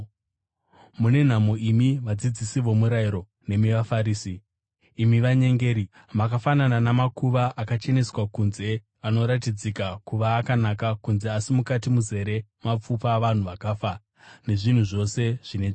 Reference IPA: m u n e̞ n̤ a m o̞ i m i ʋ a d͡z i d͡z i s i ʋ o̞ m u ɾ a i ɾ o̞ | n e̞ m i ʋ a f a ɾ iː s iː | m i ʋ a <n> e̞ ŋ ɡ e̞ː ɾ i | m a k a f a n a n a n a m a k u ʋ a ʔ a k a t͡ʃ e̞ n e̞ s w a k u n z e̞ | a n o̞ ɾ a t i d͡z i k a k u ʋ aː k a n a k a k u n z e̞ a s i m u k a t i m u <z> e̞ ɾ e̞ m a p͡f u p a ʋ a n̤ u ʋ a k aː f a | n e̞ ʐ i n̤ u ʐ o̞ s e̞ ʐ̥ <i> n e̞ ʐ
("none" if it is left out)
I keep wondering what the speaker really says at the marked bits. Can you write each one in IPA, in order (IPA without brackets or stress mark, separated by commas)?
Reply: ɲ, z, i